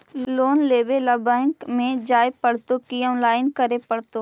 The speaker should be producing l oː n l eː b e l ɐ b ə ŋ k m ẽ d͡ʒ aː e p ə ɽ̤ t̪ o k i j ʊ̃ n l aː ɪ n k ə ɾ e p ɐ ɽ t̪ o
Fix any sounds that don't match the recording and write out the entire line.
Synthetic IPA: l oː n l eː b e l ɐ b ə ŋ k m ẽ d͡ʒ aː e p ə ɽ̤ t̪ o k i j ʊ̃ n l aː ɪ n k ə ɾ e p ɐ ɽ t̪ o

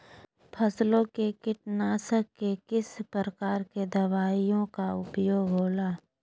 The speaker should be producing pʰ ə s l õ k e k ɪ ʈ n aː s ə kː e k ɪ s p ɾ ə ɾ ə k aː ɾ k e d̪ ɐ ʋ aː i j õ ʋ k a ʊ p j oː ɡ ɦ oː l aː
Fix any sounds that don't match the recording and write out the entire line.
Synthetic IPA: pʰ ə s l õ k e k ɪ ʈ n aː s ə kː e k ɪ s p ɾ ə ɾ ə k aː ɾ k e d̪ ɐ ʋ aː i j õ k a ʊ p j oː ɡ ɦ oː l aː

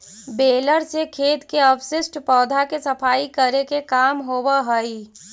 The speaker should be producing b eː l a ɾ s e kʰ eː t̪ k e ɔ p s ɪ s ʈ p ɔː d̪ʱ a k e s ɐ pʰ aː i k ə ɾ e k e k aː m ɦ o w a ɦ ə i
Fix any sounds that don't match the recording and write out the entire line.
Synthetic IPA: b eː l ə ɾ s e kʰ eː t̪ k e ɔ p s ɪ s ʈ p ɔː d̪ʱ a k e s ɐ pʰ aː i k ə ɾ e k e k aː m ɦ o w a ɦ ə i

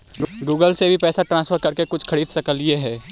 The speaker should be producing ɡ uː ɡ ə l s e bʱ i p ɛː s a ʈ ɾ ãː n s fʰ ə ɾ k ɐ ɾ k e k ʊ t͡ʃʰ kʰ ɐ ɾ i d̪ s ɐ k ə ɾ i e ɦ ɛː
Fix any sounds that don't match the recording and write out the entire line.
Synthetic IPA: ɡ uː ɡ ə l s e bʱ i p ɛː s a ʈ ɾ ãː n s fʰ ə ɾ k ɐ ɾ k e k ʊ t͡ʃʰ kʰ ɐ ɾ iː d̪ s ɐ k ə l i e ɦ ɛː

